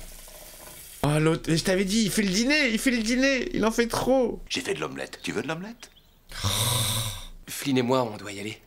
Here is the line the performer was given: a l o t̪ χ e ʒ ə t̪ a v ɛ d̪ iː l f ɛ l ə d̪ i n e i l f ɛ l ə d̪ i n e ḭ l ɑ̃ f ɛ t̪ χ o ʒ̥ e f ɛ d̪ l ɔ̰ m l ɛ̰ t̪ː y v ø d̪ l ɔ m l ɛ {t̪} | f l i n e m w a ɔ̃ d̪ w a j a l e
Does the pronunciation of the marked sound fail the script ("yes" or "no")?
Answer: no